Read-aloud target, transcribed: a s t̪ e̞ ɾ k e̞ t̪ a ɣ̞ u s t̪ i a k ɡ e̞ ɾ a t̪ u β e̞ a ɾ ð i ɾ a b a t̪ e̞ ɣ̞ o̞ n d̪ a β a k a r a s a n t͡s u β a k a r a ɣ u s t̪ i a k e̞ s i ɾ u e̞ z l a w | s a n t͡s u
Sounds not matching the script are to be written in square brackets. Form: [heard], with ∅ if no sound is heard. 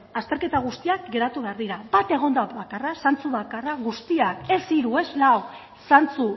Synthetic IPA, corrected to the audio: a s t̪ e̞ ɾ k e̞ t̪ a ɣ̞ u s t̪ i a k ɡ e̞ ɾ a t̪ u β e̞ a ɾ ð i ɾ a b a t̪ e̞ ɣ̞ o̞ n d̪ a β a k a r a s a n t͡s u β a k a r a ɣ u s t̪ i a k e̞ s i ɾ u e̞ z l a w | s a n t͡s u

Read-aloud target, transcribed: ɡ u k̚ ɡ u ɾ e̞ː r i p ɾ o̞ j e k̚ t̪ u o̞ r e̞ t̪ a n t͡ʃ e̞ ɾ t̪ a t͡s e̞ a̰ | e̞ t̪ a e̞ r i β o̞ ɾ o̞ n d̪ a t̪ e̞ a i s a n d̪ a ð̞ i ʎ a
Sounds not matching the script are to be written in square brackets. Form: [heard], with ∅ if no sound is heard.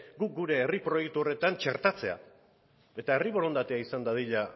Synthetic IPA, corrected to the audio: ɡ u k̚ ɡ u ɾ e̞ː r i p ɾ o̞ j e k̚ t̪ u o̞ r e̞ t̪ a n t͡ʃ e̞ ɾ t̪ a t͡s e̞ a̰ | e̞ t̪ a e̞ r i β o̞ ɾ o̞ n d̪ a t̪ e̞ a i s a n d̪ a ð̞ i ʎ a

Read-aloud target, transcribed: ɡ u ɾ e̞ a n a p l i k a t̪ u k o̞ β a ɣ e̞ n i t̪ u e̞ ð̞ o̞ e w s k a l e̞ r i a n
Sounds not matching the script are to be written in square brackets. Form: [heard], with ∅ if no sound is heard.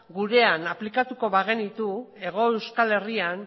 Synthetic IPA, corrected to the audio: ɡ u ɾ e̞ a n a p l i k a t̪ u k o̞ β a ɣ e̞ n i t̪ u e̞ [ɣ̞] o̞ e w s k a l e̞ r i a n

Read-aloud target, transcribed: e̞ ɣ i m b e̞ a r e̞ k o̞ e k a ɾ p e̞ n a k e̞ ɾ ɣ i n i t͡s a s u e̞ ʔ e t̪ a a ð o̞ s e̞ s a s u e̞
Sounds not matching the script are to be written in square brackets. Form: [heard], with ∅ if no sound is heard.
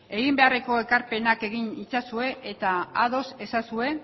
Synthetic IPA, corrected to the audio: e̞ ɣ i m b e̞ a r e̞ k o̞ e k a ɾ p e̞ n a k e̞ [∅] ɣ i n i t͡s a s u e̞ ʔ e t̪ a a ð o̞ s e̞ s a s u e̞

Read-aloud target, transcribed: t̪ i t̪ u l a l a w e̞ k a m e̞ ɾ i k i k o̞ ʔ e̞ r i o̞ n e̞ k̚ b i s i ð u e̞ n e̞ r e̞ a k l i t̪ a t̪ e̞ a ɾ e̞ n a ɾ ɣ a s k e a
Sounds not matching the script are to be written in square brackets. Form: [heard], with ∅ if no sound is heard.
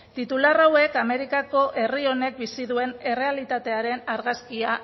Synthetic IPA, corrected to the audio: t̪ i t̪ u l a [r] a w e̞ k a m e̞ ɾ i k [a] k o̞ ʔ e̞ r i o̞ n e̞ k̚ b i s i ð u e̞ n e̞ r e̞ a [∅] l i t̪ a t̪ e̞ a ɾ e̞ n a ɾ ɣ a s k [i] a

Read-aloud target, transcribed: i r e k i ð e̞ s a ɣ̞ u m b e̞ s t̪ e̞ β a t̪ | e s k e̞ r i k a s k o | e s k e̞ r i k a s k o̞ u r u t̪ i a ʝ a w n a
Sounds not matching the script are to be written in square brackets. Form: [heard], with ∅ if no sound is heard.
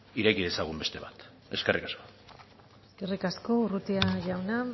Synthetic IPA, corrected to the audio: i [ɾ] e k i ð e̞ s a ɣ̞ u m b e̞ s t̪ e̞ β a t̪ | e s k e̞ r i k a s k o | e s k e̞ r i k a s k o̞ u r u t̪ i a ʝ a w n a

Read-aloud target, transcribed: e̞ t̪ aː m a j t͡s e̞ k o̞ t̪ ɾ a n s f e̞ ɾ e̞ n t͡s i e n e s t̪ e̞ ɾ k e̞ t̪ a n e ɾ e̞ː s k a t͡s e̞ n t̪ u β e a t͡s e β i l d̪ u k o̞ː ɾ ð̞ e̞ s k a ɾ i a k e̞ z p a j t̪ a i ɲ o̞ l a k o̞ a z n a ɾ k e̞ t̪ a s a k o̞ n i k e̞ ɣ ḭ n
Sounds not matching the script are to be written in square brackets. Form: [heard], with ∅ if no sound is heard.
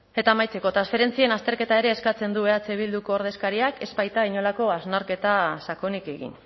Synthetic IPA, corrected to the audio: e̞ t̪ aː m a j t͡s e̞ k o̞ t̪ ɾ a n s f e̞ ɾ e̞ n t͡s i e n [a] s t̪ e̞ ɾ k e̞ t̪ a [∅] e ɾ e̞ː s k a t͡s e̞ n [d̪] u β e a t͡s e β i l d̪ u k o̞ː ɾ ð̞ e̞ s k a ɾ i a k e̞ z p a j t̪ a i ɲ o̞ l a k o̞ a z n a ɾ k e̞ t̪ a s a k o̞ n i k e̞ ɣ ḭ n

